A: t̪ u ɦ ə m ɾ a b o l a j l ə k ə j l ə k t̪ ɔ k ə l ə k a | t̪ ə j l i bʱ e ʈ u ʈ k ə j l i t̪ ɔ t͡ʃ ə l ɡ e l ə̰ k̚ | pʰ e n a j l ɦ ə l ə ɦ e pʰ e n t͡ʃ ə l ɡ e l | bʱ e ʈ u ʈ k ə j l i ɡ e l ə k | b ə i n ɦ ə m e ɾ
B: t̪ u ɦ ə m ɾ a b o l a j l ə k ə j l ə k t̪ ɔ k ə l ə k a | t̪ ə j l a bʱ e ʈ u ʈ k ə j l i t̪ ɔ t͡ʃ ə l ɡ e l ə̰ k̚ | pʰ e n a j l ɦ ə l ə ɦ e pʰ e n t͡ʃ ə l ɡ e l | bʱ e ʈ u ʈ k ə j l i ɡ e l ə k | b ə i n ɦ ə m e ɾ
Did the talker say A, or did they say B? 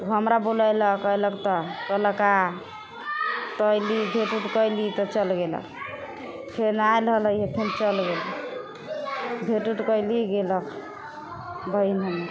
A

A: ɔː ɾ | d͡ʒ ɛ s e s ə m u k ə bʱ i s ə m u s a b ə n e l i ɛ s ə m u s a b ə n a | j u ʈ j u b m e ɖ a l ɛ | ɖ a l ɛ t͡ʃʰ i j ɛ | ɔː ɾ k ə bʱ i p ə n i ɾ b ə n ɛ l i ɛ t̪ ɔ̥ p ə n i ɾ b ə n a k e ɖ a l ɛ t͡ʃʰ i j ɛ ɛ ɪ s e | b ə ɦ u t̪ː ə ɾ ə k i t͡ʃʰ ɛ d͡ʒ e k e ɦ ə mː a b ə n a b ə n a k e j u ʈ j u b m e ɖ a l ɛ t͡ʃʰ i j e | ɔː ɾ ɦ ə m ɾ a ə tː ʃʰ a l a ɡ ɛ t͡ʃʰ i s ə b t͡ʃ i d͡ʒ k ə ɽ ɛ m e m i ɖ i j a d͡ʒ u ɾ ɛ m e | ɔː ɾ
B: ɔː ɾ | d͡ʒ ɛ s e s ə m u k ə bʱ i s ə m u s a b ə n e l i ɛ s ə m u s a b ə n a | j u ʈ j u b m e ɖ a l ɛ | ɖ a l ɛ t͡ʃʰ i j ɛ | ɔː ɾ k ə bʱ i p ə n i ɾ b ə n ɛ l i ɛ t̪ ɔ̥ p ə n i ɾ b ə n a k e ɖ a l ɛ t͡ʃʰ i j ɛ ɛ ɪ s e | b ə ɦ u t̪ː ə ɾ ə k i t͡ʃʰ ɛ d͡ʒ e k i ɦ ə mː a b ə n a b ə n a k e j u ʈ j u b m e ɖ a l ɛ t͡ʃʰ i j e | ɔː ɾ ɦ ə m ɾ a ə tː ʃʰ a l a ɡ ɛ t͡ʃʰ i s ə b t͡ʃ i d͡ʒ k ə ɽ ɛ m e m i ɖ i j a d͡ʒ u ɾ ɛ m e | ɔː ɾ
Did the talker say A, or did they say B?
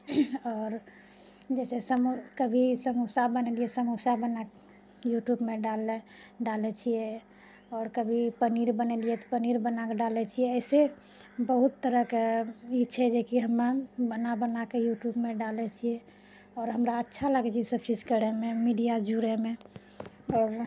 B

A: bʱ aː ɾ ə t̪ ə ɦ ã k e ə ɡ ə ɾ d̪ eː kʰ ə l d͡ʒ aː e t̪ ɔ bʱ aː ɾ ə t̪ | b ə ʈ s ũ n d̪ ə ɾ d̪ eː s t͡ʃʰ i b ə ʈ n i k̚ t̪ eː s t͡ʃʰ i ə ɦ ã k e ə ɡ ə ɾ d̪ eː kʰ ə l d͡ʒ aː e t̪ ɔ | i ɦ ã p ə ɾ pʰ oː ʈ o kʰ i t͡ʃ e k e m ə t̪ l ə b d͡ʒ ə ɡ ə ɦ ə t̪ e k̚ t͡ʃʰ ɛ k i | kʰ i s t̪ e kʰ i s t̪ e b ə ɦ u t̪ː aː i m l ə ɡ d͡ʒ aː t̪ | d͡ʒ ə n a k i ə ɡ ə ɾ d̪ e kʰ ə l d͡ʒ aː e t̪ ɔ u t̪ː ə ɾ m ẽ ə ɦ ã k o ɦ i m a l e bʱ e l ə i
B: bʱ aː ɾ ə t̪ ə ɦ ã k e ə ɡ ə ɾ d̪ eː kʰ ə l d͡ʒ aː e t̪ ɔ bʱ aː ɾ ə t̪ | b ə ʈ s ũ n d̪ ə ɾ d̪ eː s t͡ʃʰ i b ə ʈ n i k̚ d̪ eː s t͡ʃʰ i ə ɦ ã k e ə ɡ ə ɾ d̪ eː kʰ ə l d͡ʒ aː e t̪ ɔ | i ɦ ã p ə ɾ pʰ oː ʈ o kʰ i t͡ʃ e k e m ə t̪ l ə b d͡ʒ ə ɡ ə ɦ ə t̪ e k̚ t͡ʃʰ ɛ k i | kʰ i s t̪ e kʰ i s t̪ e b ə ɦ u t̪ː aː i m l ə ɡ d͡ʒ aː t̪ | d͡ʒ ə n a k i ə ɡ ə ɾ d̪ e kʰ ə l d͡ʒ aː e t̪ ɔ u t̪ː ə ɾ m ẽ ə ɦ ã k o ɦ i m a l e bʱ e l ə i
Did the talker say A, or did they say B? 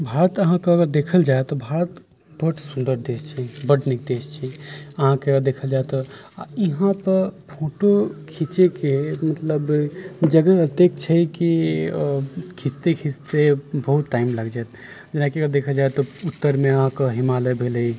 B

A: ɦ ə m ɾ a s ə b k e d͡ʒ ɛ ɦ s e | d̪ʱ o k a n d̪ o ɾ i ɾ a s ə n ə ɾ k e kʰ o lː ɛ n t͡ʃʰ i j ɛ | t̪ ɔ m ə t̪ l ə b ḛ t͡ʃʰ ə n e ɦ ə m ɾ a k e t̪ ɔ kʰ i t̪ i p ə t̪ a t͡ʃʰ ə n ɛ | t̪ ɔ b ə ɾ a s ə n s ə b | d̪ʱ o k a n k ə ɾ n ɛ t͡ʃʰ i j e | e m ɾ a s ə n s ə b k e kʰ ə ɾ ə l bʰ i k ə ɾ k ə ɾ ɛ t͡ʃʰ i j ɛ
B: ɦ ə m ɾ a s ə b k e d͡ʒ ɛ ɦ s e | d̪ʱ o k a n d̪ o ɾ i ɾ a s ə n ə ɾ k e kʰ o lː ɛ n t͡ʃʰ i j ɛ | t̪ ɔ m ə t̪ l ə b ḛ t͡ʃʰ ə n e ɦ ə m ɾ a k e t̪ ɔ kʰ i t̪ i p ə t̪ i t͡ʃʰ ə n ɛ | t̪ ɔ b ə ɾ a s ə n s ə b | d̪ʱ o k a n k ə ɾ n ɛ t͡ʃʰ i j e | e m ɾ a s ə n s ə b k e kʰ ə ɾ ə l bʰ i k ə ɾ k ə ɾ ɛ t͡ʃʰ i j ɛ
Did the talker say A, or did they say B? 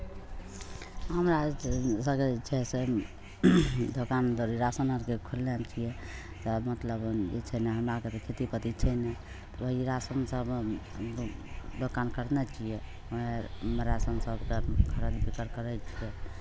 B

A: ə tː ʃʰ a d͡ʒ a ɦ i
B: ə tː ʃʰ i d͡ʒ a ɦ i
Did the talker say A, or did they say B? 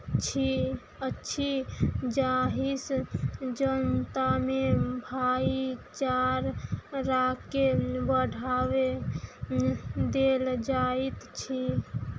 B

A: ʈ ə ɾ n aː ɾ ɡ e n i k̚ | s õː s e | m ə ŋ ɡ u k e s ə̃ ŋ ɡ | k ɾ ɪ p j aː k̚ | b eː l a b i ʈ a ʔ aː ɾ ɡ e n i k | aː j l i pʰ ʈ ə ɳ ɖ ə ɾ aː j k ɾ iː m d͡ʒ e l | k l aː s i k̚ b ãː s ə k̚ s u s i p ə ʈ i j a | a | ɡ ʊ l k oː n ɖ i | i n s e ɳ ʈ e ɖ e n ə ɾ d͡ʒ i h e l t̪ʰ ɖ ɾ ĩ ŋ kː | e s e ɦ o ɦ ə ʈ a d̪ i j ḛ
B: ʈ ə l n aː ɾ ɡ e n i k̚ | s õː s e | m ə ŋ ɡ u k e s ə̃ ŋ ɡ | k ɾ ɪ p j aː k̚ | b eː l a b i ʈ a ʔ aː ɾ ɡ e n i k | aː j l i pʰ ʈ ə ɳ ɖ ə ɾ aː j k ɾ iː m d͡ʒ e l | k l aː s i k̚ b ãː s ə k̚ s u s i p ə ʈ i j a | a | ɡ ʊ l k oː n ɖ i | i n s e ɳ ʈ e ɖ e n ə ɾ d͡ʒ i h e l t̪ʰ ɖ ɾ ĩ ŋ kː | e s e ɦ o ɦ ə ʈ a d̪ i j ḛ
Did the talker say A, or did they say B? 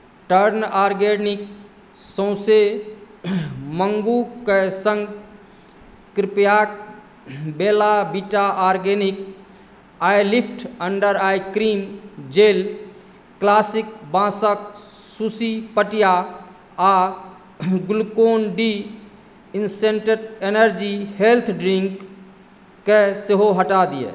A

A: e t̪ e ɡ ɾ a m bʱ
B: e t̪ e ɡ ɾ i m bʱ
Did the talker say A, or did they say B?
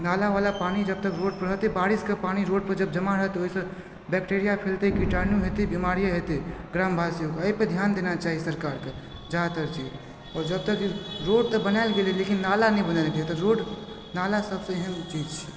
A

